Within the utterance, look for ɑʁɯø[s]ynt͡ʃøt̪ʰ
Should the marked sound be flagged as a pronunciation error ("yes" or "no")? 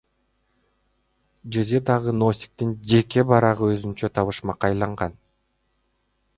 yes